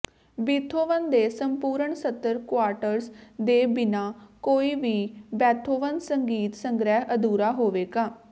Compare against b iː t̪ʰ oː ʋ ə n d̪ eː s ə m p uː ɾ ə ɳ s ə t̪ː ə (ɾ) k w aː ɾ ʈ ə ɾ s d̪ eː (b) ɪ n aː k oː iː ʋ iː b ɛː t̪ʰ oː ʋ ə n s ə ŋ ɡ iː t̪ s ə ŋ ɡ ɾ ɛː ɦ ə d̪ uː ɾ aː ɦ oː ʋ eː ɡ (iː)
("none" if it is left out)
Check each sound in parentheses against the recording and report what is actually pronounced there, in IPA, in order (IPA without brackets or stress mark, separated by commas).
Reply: ɾ, b, aː